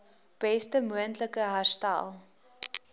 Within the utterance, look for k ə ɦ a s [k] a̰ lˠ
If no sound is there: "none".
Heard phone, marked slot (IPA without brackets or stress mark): t